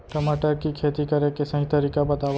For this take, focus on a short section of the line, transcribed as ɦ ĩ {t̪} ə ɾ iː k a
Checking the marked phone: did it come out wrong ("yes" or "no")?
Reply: no